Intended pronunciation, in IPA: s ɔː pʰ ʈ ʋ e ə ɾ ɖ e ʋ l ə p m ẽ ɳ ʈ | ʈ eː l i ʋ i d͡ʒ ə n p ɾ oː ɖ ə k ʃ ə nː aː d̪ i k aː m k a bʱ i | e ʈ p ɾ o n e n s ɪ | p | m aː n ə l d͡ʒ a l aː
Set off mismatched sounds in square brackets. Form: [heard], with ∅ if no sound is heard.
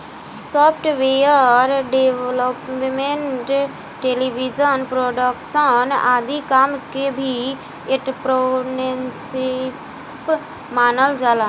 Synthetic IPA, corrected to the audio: s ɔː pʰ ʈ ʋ e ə ɾ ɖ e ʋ l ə p m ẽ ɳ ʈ | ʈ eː l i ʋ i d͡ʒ ə n p ɾ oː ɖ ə k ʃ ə [n] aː d̪ i k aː m k [e] bʱ i | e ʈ p ɾ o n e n s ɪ | p | m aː n ə l d͡ʒ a l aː